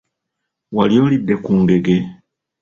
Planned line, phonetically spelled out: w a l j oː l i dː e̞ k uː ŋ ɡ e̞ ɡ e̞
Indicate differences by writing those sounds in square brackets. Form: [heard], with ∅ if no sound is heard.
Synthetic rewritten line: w a l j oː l i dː e̞ k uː ŋ ɡ e̞ ɡ e̞